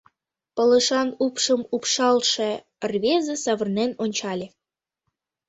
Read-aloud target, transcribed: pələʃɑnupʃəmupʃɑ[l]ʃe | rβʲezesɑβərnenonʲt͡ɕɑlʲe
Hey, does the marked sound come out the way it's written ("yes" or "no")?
yes